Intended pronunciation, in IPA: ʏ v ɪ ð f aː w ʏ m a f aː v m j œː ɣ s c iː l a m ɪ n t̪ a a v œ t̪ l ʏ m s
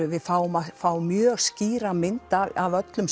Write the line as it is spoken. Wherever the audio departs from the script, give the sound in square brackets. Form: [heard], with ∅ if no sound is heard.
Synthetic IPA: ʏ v ɪ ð f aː w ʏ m a f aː [w] m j œː ɣ s c iː [ɾ] a m ɪ n t̪ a a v œ t̪ l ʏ m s